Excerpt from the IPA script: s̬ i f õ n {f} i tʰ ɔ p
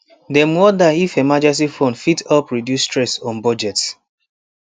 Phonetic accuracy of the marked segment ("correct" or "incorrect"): correct